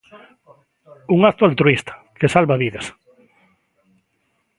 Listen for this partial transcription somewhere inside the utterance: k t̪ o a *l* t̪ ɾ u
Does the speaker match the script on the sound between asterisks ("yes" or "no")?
yes